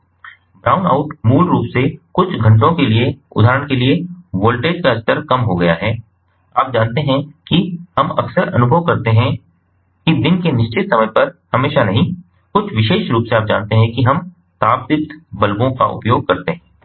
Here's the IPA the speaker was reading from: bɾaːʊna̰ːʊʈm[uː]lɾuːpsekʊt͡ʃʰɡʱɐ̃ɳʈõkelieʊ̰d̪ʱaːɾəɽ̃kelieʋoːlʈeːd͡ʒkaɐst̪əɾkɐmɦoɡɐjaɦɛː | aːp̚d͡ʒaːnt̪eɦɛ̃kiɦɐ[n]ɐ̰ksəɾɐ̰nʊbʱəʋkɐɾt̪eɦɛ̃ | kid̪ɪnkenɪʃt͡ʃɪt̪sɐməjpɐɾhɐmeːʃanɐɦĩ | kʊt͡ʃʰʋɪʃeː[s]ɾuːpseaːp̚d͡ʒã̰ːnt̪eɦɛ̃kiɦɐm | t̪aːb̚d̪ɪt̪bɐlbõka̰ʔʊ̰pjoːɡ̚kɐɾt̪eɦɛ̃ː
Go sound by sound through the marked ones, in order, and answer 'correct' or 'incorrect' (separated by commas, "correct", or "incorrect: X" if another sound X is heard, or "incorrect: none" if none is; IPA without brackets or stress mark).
correct, incorrect: m, incorrect: ʃ